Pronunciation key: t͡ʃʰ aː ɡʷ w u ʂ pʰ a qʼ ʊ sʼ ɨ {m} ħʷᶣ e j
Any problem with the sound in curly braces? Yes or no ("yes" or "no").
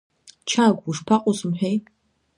no